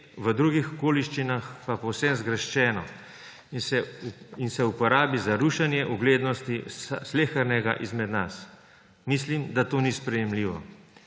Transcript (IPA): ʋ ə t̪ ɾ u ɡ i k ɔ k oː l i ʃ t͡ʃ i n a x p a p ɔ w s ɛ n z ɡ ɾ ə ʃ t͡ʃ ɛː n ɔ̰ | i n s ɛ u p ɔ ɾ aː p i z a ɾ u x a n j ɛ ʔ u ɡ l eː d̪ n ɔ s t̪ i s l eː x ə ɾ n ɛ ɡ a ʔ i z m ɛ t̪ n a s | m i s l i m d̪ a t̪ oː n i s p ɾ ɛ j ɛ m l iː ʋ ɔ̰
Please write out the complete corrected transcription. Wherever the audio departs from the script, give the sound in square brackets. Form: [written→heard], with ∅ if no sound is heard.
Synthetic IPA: ʋ ə [t̪→d̪] ɾ u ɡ i [k→x] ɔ k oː l i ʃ t͡ʃ i n a x p a p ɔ w s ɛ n z ɡ ɾ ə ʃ t͡ʃ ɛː n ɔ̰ | i n s ɛ u p ɔ ɾ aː [p→b] i z a ɾ u [x→ʃ] a n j ɛ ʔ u ɡ l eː d̪ n ɔ s t̪ i s l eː x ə ɾ n ɛ ɡ a ʔ i z m ɛ [t̪→d̪] n a s | m i s l i m d̪ a t̪ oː n i s p ɾ ɛ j ɛ m l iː ʋ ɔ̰